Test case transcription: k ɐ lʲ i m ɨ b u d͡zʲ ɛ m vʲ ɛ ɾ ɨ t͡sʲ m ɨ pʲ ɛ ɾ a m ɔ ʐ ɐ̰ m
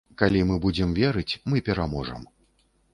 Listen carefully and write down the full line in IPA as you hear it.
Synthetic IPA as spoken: k a lʲ i m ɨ b u d͡zʲ ɛ m vʲ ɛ ɾ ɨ t͡sʲ m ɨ pʲ ɛ ɾ a m ɔ ʐ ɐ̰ m